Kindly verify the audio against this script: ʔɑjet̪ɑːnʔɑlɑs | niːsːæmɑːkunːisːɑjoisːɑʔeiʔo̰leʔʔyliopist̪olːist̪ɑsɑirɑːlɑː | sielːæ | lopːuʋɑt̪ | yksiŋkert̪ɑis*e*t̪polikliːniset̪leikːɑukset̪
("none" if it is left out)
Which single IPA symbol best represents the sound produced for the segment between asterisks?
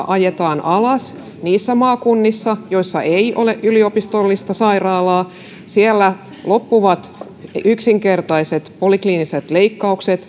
e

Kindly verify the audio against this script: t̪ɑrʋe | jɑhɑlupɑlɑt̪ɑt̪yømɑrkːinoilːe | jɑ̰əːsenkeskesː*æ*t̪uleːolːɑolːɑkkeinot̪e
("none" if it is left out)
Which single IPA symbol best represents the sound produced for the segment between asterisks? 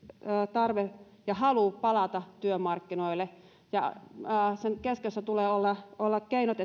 æ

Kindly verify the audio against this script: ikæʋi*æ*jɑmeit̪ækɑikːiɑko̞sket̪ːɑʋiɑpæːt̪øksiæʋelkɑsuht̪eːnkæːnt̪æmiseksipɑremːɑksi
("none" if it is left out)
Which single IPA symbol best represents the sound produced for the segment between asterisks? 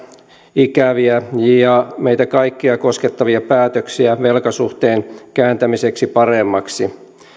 æ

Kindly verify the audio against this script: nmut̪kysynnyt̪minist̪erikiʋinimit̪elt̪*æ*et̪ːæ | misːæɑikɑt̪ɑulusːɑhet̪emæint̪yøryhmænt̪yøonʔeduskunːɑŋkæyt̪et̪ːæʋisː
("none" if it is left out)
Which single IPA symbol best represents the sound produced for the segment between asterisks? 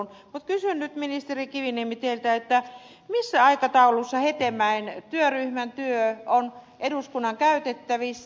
æ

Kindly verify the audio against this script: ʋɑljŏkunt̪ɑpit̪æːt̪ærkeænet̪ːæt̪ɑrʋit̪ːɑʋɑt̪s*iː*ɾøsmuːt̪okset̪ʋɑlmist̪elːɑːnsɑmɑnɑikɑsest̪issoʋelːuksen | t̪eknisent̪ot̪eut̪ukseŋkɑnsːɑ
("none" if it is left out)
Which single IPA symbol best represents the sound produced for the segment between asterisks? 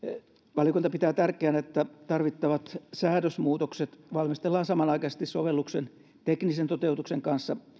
æː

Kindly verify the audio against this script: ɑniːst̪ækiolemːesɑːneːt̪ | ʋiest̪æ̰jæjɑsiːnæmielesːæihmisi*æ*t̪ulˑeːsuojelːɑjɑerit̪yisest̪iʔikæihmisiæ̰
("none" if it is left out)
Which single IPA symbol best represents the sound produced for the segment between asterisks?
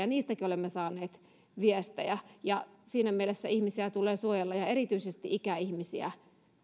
æ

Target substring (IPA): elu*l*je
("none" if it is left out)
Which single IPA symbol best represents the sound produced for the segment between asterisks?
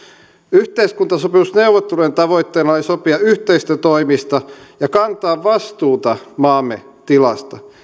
none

